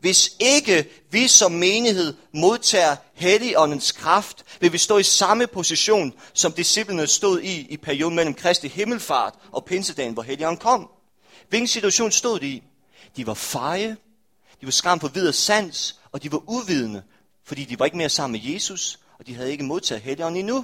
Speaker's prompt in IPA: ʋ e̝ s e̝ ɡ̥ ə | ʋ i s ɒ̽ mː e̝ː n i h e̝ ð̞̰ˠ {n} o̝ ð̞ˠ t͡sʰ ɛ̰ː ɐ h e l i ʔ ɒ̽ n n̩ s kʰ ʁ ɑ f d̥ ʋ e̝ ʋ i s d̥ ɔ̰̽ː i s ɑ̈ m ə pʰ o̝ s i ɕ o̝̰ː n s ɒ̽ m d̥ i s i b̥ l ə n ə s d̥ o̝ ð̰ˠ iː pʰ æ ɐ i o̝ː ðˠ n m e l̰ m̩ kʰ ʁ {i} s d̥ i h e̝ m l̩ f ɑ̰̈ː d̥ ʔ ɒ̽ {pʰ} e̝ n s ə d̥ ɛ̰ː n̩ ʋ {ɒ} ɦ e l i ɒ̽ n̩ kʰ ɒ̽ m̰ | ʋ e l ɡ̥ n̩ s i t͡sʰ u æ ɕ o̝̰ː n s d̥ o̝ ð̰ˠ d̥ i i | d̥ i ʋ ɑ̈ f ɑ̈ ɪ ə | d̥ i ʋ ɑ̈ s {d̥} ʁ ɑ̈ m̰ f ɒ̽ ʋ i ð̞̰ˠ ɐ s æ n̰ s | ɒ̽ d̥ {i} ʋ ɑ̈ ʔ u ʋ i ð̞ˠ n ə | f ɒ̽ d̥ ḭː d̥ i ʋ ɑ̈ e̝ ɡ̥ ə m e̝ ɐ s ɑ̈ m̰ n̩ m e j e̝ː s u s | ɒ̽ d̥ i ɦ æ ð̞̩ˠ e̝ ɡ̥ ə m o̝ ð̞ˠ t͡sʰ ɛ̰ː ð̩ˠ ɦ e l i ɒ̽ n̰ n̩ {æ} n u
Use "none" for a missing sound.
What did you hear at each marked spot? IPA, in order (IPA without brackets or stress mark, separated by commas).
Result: m, ɛ, pʰ, ɒ, ɡ̥, i, i